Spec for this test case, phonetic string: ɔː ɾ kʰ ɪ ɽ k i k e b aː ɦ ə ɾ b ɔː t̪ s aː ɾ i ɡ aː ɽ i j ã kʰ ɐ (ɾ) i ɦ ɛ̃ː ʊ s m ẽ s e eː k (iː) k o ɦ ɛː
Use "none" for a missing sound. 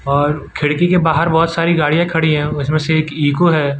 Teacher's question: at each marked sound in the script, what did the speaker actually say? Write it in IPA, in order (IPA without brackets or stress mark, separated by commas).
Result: ɽ, iː